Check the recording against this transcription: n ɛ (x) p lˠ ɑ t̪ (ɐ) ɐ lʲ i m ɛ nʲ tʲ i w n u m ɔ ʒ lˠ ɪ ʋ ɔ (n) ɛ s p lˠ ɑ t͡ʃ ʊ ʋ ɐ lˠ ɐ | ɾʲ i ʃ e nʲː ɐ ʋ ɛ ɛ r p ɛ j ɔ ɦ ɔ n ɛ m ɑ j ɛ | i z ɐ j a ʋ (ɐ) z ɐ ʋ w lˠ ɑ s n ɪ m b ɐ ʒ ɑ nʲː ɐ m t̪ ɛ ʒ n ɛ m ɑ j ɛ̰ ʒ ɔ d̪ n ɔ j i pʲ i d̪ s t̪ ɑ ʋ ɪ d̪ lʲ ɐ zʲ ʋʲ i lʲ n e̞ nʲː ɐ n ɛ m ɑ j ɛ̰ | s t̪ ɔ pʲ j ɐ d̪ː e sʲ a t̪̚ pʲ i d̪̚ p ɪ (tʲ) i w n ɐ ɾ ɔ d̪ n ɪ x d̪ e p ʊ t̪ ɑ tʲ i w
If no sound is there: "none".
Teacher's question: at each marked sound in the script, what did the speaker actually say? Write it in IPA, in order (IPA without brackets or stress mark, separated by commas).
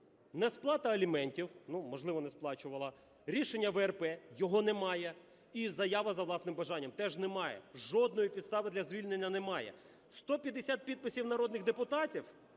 s, ɐ, n, ɐ, sʲ